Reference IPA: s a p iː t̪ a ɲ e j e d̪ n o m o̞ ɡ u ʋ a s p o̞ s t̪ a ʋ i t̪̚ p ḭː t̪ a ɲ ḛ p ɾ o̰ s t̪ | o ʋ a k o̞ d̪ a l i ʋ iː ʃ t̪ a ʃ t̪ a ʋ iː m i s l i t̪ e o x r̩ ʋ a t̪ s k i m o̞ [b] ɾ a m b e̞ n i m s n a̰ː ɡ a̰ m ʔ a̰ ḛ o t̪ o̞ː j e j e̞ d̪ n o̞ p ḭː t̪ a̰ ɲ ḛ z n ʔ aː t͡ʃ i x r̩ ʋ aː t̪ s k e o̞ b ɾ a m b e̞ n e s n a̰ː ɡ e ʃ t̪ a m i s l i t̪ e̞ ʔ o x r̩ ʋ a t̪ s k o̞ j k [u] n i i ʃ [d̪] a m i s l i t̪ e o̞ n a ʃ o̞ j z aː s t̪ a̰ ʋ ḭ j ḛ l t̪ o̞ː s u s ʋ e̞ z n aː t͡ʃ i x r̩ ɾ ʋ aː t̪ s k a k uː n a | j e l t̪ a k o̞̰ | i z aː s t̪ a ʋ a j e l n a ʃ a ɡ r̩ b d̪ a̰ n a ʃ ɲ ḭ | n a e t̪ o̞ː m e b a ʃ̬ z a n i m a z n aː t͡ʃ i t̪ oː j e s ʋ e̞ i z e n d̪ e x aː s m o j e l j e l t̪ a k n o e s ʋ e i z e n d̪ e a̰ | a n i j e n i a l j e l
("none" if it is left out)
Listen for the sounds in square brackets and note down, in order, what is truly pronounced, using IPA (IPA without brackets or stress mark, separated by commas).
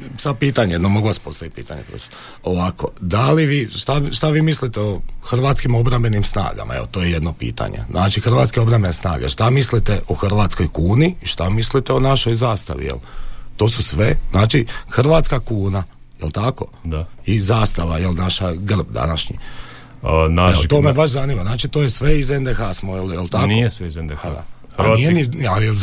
b, uː, t̪